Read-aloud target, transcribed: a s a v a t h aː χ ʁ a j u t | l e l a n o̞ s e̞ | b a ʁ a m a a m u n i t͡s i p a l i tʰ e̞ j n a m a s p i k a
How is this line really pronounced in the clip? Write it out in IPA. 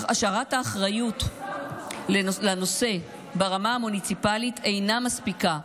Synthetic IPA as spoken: a ʃ a ʁ a t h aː χ ʁ a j u t | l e l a n o̞ s e̞ | b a ʁ a m a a m u n i t͡s i p a l i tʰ e̞ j n a m a s p i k a